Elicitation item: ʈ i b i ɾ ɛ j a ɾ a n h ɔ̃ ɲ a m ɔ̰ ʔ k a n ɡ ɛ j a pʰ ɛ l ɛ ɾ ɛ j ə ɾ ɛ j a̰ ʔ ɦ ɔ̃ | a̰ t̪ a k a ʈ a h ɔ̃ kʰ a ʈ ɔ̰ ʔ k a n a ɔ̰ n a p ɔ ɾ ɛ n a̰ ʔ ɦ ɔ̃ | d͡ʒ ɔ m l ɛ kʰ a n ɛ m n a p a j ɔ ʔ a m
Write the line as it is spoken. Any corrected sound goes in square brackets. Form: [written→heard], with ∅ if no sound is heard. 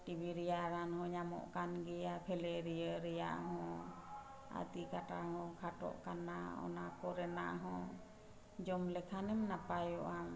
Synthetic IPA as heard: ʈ i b i ɾ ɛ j a ɾ a n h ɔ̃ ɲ a m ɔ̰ ʔ k a n ɡ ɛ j a pʰ ɛ l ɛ ɾ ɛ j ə ɾ ɛ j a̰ ʔ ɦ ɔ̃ | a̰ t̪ [a→i] k a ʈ a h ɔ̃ kʰ a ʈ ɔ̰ ʔ k a n a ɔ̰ n a [p→k] ɔ ɾ ɛ n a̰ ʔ ɦ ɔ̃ | d͡ʒ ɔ m l ɛ kʰ a n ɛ m n a p a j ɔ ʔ a m